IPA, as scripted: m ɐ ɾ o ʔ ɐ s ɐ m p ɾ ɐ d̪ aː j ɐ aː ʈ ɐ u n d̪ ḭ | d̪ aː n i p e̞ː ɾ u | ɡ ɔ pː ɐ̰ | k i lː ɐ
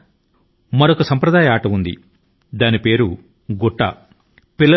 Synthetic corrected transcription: m ɐ ɾ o k ɐ s ɐ m p ɾ ɐ d̪ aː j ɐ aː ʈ ɐ u n d̪ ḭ | d̪ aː n i p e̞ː ɾ u | ɡ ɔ ʈː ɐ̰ | p i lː ɐ